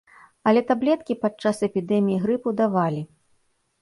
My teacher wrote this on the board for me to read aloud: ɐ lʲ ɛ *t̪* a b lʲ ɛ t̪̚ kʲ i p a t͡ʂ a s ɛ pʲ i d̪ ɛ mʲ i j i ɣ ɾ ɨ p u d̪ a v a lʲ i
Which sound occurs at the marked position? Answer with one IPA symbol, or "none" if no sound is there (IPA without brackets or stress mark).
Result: t̪